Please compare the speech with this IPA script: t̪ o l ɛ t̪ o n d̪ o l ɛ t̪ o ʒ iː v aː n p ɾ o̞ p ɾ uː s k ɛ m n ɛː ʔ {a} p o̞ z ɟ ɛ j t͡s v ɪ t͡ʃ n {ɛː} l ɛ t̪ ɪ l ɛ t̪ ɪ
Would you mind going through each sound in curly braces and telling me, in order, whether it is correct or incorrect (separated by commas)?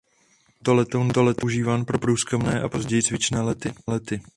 correct, correct